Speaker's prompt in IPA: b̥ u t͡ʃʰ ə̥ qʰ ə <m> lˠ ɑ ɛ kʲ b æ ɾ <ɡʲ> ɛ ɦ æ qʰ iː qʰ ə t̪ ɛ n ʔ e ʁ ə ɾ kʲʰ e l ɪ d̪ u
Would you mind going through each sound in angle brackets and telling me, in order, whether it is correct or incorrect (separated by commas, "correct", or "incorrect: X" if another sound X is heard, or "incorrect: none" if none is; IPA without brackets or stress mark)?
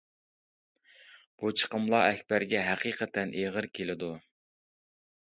correct, correct